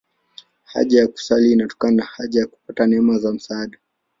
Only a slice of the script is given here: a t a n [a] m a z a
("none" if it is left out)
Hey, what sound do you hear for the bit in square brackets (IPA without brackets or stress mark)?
ɛ